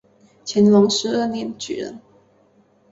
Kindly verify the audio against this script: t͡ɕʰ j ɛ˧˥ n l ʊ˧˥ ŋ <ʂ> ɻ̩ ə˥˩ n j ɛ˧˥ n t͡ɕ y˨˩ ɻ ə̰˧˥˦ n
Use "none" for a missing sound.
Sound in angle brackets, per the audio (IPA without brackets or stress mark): ʂ